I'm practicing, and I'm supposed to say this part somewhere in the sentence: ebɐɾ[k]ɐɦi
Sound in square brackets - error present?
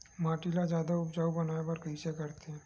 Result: no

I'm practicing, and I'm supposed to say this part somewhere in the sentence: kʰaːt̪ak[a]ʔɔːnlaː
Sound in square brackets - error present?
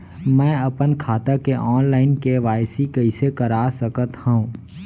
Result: yes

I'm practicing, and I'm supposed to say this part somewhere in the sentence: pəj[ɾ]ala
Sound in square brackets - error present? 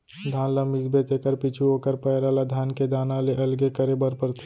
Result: no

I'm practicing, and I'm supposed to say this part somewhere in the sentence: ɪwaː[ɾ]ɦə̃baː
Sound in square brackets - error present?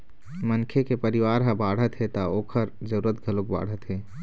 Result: no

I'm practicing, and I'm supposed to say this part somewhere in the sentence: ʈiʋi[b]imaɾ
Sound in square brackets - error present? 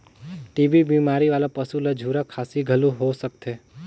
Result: no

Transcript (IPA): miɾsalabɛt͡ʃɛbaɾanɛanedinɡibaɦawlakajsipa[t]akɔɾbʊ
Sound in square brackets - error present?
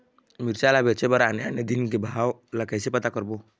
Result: no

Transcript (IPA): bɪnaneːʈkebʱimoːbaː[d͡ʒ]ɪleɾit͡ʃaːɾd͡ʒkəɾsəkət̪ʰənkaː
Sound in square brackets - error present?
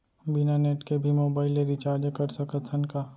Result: yes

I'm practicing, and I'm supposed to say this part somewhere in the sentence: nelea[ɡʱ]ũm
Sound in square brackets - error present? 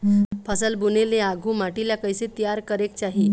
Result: no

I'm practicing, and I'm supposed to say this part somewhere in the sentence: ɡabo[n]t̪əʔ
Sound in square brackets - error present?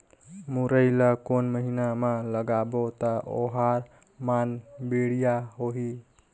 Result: yes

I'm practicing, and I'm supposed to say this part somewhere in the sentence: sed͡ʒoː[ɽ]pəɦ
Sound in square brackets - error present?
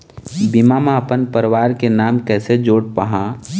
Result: no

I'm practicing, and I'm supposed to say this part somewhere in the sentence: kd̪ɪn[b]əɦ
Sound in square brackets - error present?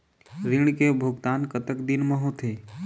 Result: yes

